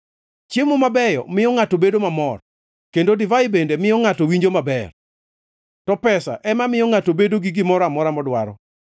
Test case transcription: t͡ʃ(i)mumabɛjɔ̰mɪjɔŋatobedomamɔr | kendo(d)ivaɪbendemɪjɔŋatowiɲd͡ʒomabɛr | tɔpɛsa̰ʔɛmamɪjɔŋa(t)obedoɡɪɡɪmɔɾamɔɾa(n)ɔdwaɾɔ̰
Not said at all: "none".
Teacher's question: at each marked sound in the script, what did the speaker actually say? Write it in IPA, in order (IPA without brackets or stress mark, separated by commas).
e, d, t, m